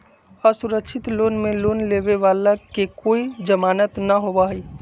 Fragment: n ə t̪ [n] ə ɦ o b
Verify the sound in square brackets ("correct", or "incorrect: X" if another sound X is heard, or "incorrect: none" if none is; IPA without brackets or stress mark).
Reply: correct